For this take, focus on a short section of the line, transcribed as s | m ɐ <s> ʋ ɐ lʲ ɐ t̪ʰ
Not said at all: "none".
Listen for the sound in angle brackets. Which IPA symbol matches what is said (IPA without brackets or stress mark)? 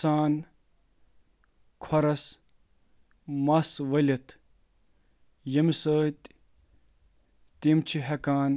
s